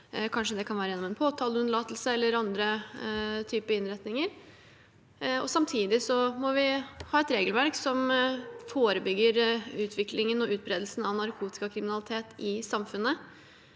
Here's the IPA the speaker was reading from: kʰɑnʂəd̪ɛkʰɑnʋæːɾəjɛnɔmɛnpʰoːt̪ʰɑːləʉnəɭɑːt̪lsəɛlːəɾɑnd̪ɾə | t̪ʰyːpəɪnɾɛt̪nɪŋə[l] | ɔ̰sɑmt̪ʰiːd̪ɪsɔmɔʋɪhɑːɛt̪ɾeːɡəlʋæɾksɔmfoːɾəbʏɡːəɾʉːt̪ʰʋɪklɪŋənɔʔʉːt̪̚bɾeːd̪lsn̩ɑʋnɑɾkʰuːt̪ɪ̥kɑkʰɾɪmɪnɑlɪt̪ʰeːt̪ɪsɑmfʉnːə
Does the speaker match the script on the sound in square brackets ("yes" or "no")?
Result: no